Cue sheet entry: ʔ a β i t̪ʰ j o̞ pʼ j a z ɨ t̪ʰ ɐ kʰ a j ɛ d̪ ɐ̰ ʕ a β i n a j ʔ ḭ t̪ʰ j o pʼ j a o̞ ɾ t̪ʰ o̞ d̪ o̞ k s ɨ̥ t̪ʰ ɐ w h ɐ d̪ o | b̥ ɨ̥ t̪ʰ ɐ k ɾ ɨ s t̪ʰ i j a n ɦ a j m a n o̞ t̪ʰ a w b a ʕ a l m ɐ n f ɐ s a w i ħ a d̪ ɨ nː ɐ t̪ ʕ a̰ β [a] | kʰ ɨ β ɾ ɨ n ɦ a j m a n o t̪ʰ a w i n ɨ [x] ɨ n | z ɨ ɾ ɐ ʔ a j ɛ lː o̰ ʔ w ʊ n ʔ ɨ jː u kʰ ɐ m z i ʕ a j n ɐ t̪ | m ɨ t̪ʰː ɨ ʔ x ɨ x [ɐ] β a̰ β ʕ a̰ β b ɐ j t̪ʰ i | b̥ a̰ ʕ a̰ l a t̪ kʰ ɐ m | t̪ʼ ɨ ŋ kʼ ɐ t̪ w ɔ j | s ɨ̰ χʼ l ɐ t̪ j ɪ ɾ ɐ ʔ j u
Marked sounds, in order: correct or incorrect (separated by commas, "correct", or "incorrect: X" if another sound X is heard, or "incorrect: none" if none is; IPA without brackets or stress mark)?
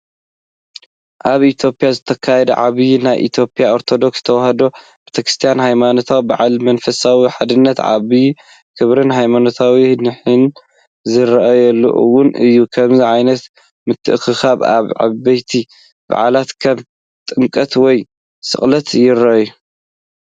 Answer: incorrect: i, incorrect: ħ, incorrect: a